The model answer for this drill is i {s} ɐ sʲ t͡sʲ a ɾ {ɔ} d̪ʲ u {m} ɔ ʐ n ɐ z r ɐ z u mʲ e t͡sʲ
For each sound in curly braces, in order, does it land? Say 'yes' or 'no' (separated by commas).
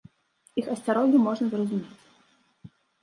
no, yes, yes